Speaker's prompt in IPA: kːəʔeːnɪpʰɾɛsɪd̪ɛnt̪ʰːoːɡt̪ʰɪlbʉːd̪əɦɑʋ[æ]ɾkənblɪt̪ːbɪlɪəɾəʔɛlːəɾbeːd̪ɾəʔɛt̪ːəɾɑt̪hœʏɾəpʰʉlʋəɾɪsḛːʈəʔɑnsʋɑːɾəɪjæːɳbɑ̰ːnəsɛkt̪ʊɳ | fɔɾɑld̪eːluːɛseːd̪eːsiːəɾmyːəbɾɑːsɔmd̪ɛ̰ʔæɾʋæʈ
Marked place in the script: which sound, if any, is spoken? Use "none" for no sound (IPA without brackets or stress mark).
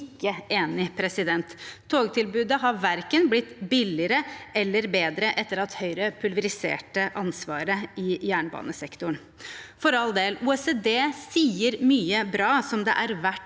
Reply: æ